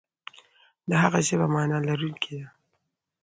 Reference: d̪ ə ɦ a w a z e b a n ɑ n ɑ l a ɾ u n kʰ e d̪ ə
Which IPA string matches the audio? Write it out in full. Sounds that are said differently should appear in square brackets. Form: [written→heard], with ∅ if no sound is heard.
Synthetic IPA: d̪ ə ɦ a [w→ɣ] a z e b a [n→m] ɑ n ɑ l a ɾ u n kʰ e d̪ [ə→a]